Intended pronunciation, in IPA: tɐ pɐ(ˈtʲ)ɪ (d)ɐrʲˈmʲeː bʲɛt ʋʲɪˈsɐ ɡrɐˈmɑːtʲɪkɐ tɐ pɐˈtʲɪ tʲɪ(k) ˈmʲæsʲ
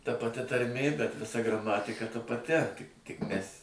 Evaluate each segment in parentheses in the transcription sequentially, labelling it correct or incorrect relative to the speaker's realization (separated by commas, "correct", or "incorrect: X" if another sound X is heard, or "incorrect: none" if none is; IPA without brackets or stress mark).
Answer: correct, incorrect: t, correct